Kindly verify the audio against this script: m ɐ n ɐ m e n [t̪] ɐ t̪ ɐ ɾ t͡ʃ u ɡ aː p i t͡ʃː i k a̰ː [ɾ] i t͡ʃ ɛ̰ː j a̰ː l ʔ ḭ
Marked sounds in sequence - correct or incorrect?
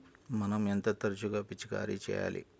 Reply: correct, correct

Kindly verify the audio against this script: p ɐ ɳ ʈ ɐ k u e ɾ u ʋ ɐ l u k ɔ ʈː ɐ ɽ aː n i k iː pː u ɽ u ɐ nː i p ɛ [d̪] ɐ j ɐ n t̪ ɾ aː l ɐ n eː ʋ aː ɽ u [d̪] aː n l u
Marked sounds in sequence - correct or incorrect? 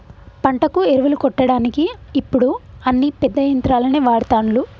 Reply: incorrect: d̪ː, incorrect: t̪

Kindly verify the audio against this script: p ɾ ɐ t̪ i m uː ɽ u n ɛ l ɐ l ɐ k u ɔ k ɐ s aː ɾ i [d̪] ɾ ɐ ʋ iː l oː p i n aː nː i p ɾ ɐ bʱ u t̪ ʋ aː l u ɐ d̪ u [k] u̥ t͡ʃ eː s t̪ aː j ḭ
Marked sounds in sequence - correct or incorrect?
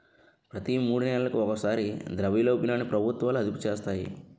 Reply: correct, incorrect: p

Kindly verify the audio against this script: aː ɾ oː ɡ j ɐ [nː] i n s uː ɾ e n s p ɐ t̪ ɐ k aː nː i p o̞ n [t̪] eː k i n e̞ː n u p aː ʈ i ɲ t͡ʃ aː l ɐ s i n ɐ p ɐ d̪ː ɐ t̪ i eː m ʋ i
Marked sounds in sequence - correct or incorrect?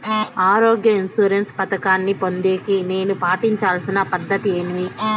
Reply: incorrect: none, incorrect: d̪

